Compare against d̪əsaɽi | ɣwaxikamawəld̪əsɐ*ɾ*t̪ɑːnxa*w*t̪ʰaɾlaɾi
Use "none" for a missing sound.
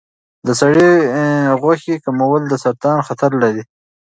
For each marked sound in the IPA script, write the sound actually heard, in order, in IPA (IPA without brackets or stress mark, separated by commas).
ɾ, none